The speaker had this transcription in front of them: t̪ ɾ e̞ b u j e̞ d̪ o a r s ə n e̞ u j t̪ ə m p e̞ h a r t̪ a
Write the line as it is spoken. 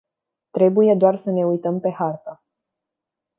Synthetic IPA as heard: t̪ ɾ e̞ b u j e̞ d̪ o a r s ə n e̞ u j t̪ ə m p e̞ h a r t̪ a